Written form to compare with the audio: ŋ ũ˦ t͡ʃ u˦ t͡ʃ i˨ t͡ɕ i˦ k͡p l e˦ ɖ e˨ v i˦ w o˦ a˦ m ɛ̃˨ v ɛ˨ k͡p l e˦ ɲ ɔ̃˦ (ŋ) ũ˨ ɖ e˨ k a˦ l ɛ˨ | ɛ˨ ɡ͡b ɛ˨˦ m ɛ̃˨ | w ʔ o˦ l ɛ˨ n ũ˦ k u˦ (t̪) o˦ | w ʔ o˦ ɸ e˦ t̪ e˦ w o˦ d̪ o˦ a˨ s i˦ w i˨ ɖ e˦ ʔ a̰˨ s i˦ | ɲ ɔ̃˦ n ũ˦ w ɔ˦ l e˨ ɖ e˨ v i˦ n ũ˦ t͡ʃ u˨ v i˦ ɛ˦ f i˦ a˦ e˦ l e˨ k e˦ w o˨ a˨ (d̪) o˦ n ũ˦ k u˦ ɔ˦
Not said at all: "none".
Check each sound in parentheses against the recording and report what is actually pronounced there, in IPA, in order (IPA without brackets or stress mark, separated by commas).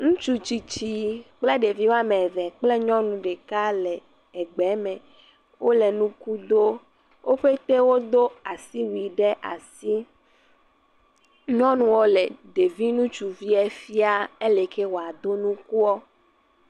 n, d̪, d̪